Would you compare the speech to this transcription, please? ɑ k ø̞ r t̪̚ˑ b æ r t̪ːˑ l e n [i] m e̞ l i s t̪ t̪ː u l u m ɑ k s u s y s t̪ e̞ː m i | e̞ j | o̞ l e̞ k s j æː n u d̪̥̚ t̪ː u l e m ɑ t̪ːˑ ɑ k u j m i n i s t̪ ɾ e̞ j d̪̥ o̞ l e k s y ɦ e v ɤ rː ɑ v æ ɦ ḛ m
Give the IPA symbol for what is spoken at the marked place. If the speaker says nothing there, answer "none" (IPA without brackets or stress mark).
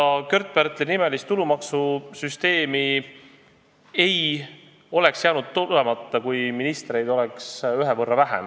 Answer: i